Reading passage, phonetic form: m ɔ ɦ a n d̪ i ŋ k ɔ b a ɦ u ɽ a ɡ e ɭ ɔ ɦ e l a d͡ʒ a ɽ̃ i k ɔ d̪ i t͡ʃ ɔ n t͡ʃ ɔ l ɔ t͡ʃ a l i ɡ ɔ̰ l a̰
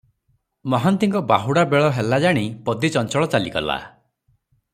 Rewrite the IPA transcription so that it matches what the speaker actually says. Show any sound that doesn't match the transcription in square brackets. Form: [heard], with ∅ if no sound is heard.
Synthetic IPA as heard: m ɔ ɦ a n [t̪] i ŋ k ɔ b a ɦ u ɽ a [b] e ɭ ɔ ɦ e l a d͡ʒ a ɽ̃ i [p] ɔ d̪ i t͡ʃ ɔ n t͡ʃ ɔ [ɭ] ɔ t͡ʃ a l i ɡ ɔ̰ l a̰